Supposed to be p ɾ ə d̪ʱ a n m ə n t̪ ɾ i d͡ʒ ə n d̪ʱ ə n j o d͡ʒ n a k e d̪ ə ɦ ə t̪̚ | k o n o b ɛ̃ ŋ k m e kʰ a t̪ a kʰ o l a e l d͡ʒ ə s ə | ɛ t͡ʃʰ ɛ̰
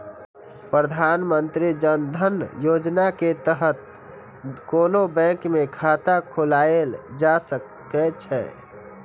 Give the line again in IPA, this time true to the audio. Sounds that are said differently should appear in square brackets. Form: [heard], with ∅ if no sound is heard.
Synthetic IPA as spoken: p ɾ ə d̪ʱ a n m ə n t̪ ɾ i d͡ʒ ə n d̪ʱ ə n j o d͡ʒ n a k e [t̪] ə ɦ ə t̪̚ | k o n o b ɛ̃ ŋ k m e kʰ a t̪ a kʰ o l a e l d͡ʒ [a] s ə | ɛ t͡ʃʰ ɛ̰